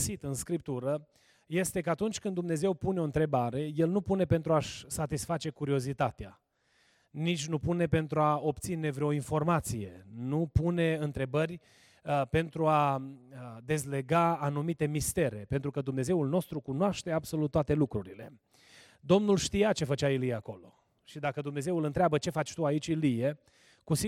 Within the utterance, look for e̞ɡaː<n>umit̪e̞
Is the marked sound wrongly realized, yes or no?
no